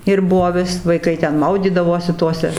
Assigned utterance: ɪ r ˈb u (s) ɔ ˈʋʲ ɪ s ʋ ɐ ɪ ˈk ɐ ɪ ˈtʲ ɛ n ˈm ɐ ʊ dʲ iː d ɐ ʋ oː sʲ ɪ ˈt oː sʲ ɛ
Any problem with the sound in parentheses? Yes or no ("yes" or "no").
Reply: yes